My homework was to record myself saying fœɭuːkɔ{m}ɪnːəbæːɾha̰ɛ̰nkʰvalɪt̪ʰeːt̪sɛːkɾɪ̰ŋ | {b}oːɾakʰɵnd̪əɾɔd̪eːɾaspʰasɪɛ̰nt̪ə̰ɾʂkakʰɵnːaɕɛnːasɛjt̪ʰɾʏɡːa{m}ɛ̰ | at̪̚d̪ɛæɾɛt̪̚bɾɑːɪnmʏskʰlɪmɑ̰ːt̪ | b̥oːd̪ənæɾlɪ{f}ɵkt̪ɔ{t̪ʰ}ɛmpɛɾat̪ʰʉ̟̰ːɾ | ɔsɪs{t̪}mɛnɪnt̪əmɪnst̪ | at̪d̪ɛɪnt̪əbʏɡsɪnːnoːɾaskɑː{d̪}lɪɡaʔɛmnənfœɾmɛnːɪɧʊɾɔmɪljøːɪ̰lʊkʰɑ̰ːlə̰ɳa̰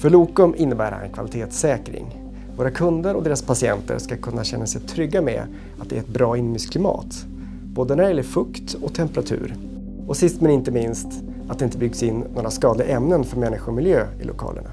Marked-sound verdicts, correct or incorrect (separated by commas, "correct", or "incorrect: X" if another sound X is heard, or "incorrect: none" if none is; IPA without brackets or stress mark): correct, incorrect: v, correct, correct, correct, correct, correct